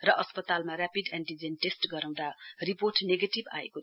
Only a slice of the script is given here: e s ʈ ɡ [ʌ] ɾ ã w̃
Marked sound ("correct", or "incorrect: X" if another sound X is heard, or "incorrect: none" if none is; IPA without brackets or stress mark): correct